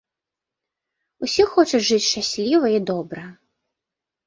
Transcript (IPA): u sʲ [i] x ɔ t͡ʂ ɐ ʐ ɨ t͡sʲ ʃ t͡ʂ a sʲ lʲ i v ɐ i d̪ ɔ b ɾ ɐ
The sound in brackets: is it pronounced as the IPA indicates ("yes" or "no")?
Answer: yes